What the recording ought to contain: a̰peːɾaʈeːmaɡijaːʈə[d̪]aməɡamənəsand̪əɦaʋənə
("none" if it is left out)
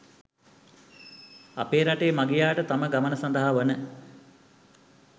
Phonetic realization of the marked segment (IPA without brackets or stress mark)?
t̪